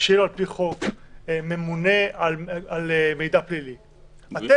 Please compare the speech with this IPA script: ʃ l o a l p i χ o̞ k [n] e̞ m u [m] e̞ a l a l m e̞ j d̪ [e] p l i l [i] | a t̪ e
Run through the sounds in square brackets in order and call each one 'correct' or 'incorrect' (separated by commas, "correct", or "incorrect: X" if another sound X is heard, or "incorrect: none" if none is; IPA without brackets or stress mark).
incorrect: m, incorrect: n, incorrect: a, correct